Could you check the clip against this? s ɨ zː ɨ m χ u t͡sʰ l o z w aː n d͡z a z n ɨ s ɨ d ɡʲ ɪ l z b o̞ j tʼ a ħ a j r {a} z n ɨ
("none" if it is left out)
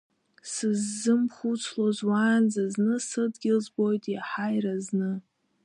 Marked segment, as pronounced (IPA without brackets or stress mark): a